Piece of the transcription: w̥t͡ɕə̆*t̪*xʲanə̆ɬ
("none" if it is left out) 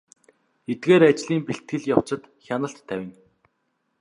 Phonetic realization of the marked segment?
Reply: t̪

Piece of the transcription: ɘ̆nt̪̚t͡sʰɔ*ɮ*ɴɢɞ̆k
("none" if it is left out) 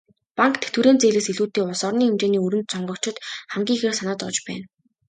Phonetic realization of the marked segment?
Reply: none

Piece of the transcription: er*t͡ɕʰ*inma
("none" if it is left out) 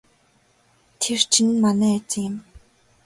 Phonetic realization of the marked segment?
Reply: t͡ɕʰ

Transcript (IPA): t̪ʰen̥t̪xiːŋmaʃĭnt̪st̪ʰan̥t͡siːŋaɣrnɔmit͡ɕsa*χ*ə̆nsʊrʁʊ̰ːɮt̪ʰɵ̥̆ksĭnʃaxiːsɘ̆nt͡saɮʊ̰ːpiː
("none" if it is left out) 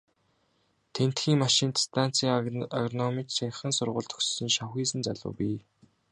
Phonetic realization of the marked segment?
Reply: χ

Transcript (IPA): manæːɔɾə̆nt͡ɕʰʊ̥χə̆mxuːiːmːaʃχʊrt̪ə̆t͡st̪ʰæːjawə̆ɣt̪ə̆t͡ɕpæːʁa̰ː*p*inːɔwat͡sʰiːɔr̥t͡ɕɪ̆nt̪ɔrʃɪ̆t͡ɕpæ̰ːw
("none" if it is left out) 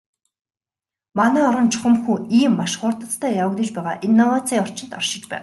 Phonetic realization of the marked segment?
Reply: ʔ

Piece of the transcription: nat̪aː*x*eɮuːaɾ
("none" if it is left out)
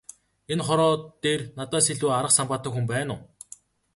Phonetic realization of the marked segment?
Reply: s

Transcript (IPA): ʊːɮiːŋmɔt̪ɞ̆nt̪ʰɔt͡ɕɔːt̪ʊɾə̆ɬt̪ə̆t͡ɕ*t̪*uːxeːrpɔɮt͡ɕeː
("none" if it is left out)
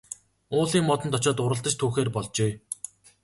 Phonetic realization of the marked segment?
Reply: t̪ʰ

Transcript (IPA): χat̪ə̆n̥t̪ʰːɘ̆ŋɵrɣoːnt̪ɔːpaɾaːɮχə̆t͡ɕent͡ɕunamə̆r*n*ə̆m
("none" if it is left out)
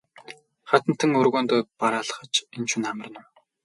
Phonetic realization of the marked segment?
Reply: n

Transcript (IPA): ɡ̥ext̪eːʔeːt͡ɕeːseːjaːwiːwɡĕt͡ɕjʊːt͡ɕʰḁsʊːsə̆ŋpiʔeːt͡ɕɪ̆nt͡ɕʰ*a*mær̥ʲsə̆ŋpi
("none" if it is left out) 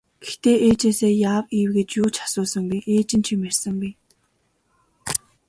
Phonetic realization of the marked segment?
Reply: i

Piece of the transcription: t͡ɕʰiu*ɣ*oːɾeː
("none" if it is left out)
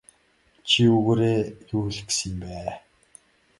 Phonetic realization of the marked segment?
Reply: ɣ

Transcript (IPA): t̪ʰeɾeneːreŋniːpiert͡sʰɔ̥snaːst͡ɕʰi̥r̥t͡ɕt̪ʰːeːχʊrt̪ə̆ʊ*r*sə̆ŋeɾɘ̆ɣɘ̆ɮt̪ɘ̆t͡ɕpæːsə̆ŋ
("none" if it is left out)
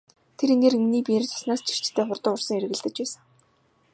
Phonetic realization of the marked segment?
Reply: r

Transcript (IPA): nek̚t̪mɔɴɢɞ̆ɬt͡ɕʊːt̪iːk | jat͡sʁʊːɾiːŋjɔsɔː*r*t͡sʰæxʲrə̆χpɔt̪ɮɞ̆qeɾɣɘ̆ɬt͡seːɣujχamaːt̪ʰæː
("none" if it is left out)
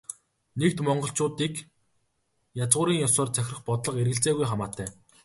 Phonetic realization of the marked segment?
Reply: r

